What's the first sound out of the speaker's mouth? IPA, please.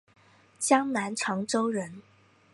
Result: t͡ɕ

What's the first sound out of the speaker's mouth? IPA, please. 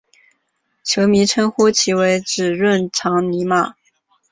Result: t͡ɕʰ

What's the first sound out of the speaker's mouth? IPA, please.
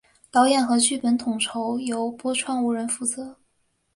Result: t̪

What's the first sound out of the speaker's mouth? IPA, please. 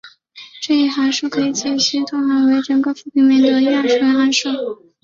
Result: ʈ͡ʂ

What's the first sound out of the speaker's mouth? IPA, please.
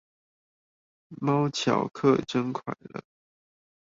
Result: m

